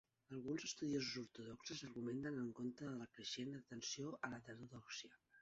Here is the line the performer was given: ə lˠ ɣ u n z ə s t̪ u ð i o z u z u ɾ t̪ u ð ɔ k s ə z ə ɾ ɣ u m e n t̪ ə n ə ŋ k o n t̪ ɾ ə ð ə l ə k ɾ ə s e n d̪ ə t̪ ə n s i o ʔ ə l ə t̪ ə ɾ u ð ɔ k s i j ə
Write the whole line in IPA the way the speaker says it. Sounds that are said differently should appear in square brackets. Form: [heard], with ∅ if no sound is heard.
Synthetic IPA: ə lˠ ɣ u n z ə s t̪ u ð i o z u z u ɾ t̪ u ð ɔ k s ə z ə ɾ ɣ u m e n t̪ ə n ə ŋ k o n t̪ ɾ ə ð ə l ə k ɾ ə [ʃ] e n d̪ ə t̪ ə n s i o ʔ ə l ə t̪ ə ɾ u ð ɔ k s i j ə